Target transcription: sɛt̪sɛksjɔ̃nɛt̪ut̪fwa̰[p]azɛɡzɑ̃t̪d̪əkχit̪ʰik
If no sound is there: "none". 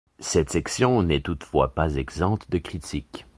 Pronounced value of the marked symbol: p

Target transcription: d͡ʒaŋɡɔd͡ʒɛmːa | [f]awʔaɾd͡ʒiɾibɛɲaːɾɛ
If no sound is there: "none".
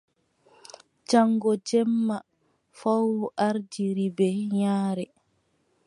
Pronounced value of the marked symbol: f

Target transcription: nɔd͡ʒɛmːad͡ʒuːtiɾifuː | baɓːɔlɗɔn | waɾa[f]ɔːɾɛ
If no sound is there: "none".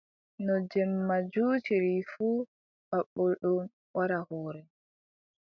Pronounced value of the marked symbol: h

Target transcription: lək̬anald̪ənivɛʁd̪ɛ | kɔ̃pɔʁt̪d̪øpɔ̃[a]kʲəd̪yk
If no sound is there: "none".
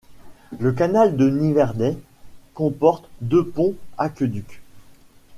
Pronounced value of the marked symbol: a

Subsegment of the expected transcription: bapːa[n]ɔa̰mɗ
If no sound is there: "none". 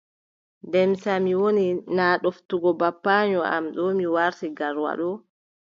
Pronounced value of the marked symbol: ɲ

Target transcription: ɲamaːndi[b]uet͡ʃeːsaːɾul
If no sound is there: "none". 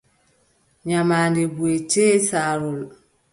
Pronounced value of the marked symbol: b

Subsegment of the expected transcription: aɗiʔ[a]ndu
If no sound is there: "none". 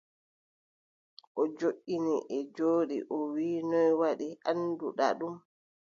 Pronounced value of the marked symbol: a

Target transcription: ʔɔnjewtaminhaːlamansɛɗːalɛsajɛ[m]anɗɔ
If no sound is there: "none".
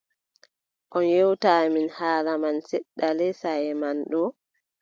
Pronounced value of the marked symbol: m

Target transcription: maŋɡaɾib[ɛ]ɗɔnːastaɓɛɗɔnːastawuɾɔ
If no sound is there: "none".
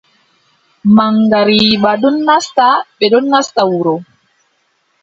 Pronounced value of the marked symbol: a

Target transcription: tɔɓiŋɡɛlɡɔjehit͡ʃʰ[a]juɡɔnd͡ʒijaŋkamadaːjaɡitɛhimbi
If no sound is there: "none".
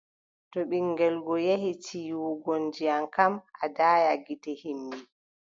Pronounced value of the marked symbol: i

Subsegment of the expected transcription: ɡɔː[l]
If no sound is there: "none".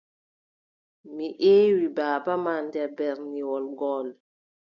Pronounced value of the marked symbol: l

